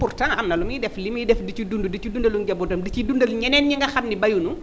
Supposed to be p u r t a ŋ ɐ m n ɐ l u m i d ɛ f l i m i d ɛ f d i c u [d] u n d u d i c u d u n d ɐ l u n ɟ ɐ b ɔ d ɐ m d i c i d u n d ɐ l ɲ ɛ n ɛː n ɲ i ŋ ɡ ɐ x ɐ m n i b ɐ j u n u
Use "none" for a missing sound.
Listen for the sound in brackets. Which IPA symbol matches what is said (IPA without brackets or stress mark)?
d